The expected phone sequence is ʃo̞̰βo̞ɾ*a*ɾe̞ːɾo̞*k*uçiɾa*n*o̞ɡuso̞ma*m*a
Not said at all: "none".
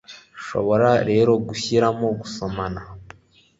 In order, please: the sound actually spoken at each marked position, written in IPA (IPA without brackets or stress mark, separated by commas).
a, ɡ, m, n